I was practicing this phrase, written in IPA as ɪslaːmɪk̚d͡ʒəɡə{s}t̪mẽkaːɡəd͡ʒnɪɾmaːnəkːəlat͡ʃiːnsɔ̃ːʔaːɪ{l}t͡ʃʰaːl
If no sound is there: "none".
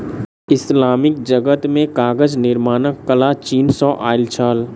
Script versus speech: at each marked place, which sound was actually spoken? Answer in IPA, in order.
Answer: none, l

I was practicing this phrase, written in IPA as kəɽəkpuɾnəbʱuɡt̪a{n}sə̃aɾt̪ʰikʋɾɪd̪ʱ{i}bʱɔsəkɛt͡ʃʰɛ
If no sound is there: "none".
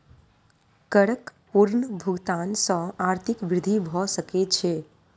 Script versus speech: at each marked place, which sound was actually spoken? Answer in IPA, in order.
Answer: n, i

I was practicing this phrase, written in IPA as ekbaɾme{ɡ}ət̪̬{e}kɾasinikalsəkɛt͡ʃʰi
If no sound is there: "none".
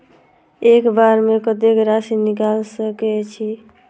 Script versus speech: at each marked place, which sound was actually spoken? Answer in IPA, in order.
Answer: k, e

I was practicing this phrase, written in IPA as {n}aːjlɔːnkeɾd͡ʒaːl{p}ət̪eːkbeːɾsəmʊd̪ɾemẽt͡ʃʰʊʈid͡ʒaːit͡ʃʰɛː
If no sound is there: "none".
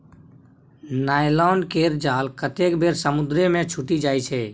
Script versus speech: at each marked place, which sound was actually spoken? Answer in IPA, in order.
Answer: n, k

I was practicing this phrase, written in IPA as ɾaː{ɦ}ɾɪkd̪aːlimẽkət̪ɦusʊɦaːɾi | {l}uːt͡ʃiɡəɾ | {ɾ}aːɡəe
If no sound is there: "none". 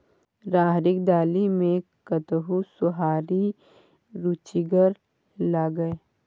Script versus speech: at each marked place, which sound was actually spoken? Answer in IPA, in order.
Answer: ɦ, ɾ, l

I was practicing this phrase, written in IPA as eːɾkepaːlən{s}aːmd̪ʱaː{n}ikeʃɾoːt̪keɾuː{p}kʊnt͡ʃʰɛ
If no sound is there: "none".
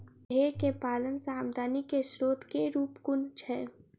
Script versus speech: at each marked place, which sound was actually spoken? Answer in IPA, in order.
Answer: s, n, p

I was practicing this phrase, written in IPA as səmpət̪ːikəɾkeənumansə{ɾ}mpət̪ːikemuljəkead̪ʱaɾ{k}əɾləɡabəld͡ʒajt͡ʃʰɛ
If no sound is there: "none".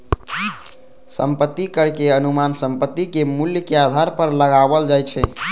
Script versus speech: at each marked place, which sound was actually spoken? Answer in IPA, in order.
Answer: none, p

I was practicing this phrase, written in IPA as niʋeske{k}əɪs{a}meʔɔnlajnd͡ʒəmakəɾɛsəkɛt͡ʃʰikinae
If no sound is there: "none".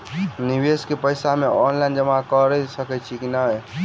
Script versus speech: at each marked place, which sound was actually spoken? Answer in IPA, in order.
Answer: p, a

